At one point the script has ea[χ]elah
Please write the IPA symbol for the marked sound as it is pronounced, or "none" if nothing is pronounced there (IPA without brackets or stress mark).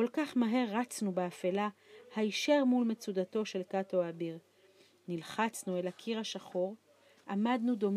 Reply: f